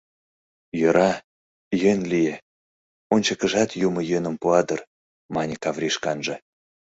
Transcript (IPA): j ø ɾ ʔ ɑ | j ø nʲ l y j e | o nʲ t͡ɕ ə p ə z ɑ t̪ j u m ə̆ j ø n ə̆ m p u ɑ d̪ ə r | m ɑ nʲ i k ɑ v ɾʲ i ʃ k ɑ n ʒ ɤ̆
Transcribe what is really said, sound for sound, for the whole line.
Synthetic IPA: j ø ɾ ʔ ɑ | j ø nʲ l i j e | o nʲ t͡ɕ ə k ə ʒ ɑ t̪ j u m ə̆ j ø n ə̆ m p u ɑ d̪ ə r | m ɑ nʲ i k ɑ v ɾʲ i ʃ k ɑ n ʒ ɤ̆